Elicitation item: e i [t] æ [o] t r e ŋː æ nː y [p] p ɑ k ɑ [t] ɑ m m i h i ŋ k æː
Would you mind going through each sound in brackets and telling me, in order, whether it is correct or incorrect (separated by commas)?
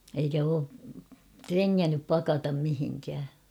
incorrect, incorrect, correct, correct